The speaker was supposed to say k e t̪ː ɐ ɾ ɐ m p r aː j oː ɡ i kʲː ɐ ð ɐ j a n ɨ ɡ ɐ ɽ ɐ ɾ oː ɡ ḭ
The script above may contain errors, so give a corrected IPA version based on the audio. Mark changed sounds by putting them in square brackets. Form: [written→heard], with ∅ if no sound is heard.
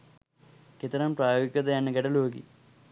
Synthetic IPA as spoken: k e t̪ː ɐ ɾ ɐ m p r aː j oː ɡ i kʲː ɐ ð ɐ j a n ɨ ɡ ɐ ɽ ɐ [ɾ→l] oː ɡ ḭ